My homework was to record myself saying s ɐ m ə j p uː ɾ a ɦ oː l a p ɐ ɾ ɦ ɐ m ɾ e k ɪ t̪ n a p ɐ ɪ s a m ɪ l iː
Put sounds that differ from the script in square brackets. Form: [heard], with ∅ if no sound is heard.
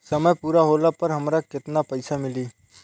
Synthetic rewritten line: s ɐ m ə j p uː ɾ a ɦ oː l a p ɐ ɾ ɦ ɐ m ɾ [a] k ɪ t̪ n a p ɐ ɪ s a m ɪ l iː